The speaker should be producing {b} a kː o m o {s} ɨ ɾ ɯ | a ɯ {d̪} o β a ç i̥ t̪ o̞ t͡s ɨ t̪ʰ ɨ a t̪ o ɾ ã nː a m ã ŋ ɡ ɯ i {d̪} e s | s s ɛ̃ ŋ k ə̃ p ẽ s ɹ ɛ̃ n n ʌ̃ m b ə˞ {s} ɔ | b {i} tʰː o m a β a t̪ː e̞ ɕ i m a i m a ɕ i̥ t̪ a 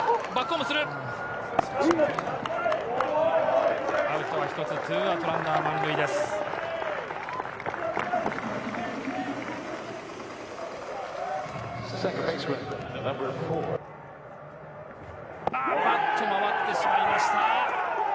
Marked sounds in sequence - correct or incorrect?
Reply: correct, correct, incorrect, correct, incorrect, incorrect

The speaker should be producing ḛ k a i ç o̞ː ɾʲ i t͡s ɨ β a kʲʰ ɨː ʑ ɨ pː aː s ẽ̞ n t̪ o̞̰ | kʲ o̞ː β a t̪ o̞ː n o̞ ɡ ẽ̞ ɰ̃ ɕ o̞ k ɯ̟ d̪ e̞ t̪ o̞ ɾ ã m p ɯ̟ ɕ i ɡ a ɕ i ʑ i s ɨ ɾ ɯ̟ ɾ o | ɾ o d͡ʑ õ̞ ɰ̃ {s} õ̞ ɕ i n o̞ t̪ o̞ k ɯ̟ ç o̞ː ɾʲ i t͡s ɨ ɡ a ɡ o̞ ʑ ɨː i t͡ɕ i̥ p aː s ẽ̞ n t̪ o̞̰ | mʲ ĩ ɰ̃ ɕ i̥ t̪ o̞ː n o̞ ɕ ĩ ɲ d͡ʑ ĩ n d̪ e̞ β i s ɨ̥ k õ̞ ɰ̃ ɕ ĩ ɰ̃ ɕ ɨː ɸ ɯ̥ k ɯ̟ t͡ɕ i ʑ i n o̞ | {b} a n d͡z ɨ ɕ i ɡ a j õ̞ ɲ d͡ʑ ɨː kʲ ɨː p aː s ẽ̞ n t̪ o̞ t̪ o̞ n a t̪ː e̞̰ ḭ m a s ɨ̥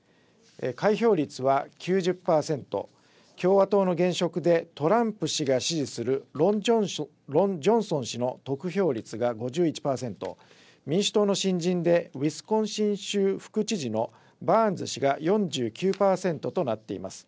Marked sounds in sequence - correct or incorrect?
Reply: correct, correct

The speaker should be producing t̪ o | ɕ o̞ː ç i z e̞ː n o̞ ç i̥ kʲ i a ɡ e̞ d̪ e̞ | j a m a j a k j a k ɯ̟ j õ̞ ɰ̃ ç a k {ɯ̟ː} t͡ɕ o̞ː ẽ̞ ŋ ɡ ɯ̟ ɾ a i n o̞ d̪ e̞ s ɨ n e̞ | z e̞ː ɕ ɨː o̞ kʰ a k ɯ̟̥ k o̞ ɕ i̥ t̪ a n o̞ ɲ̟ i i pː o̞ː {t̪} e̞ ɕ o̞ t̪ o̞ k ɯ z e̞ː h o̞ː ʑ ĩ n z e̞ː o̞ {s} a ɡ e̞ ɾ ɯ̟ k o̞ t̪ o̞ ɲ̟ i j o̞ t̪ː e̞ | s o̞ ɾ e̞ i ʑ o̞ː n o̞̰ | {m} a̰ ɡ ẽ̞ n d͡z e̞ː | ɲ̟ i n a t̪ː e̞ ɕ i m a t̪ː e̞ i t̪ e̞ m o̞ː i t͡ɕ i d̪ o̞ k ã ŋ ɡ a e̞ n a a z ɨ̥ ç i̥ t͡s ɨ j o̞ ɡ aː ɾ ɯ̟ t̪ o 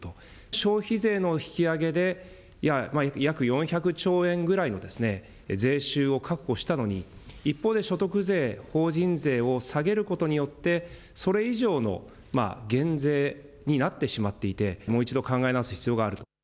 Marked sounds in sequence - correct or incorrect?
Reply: incorrect, incorrect, correct, correct

